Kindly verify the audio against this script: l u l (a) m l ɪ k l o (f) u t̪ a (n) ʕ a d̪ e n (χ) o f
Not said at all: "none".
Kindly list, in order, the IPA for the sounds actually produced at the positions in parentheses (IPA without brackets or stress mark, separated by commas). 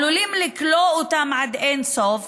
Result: i, none, m, s